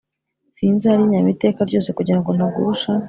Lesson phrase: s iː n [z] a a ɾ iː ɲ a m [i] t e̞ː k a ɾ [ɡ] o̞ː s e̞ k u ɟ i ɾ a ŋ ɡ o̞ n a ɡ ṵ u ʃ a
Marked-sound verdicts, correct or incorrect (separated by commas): correct, correct, incorrect